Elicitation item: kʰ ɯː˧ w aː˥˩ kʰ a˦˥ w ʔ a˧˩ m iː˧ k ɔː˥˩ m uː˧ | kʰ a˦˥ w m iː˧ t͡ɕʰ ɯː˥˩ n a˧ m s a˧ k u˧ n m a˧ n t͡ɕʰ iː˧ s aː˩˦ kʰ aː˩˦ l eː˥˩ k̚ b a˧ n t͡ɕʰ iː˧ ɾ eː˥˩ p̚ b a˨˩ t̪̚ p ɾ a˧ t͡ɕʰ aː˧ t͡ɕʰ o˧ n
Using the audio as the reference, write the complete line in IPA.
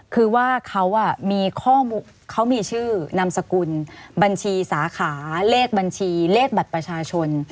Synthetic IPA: kʰ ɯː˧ w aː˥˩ kʰ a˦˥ w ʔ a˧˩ m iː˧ kʰ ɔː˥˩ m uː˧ | kʰ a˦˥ w m iː˧ t͡ɕʰ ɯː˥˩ n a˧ m s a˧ k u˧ n b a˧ n t͡ɕʰ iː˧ s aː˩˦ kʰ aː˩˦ l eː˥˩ k̚ b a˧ n t͡ɕʰ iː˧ l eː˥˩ k̚ b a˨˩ t̪̚ p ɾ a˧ t͡ɕʰ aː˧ t͡ɕʰ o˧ n